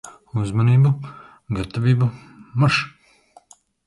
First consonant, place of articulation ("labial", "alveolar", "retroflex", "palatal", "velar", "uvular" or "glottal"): alveolar